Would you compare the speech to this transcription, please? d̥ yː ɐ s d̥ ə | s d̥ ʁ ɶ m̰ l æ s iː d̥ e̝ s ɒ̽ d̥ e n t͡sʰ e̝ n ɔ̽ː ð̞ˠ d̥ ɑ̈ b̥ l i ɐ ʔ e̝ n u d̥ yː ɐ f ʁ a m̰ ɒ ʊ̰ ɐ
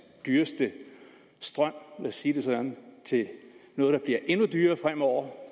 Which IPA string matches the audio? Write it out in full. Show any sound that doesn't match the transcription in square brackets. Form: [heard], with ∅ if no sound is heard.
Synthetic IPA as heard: d̥ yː ɐ s d̥ ə | s d̥ ʁ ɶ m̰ l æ s iː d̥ e̝ s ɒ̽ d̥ [æ] n t͡sʰ e̝ n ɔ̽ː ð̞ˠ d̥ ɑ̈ b̥ l i ɐ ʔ e̝ n u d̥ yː ɐ f ʁ a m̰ ɒ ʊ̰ ɐ